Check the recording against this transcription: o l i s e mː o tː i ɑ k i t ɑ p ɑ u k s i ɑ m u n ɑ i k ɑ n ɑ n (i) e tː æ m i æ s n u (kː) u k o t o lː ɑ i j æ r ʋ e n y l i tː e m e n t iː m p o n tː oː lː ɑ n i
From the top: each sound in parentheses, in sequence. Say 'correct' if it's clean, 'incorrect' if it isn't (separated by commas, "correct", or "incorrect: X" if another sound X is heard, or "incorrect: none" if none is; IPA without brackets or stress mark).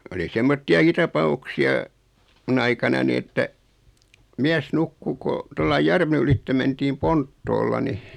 correct, correct